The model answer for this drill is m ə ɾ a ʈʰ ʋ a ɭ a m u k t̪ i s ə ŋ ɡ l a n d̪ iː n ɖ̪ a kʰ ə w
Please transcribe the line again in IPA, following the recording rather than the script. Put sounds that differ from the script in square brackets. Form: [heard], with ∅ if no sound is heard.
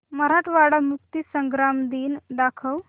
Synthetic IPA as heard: m ə ɾ a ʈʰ ʋ a [ɽ] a m u k t̪ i s ə ŋ ɡ [ɾ] a [m] d̪ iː n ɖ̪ a kʰ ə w

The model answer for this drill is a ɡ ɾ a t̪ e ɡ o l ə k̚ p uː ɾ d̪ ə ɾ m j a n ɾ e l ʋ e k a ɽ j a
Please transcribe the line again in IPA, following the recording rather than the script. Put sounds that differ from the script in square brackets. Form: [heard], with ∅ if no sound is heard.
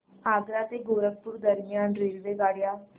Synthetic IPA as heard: a ɡ ɾ a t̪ e ɡ o [ɾ] ə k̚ p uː ɾ d̪ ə ɾ m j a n ɾ e l ʋ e [ɡ] a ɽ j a

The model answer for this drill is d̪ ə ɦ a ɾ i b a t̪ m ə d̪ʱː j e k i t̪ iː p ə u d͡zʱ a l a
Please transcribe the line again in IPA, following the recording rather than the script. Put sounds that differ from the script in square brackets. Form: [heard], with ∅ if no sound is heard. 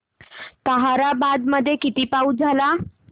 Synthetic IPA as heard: [t̪] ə ɦ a ɾ [a] b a [d̪] m ə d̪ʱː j e k i t̪ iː p [a] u d͡zʱ a l a

